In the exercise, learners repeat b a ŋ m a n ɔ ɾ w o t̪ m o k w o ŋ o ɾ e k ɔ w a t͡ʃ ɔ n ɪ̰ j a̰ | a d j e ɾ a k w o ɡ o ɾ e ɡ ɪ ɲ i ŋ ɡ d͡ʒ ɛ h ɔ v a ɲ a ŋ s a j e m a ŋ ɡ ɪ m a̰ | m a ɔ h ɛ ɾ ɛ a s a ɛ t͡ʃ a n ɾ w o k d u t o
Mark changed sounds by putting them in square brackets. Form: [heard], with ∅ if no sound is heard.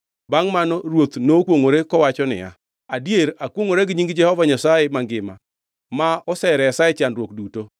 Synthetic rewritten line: b a ŋ m a n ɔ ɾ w o t̪ [n] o k w o ŋ o ɾ e k ɔ w a t͡ʃ ɔ n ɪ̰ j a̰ | a d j e ɾ a k w o [ŋ] o ɾ e ɡ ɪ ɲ i ŋ ɡ d͡ʒ ɛ h ɔ v a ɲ a [∅] s a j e m a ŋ ɡ ɪ m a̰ | m a ɔ [s] ɛ ɾ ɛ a s a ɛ t͡ʃ a n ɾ w o k d u t o